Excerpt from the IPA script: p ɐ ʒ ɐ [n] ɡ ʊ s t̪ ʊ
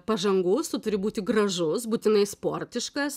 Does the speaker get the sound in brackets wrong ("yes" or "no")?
yes